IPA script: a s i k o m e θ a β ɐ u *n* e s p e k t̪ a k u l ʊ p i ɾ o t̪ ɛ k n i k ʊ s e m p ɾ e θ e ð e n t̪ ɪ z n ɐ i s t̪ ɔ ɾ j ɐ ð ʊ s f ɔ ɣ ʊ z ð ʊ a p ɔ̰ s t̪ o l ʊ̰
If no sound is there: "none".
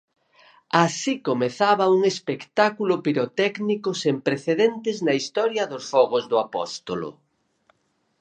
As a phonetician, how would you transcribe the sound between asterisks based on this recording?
ŋ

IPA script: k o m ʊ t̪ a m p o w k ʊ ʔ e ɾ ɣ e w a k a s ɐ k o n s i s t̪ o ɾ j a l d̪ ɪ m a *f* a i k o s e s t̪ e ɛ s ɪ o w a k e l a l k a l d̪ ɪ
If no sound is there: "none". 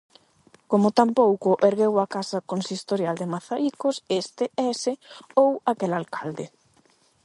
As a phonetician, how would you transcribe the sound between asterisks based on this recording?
θ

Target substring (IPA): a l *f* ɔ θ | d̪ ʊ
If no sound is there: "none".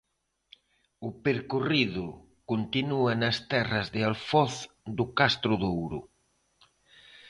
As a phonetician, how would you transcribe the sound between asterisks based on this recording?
f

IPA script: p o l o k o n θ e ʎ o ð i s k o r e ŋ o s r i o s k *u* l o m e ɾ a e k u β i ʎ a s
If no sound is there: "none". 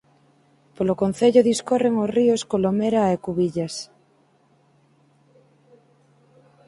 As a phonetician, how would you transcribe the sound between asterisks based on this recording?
o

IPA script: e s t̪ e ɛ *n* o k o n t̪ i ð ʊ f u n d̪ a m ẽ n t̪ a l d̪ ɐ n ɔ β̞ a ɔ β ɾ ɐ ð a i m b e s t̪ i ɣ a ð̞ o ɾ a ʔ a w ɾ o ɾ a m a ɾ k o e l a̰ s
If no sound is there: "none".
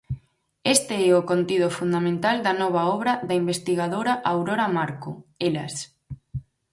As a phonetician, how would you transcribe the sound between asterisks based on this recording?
none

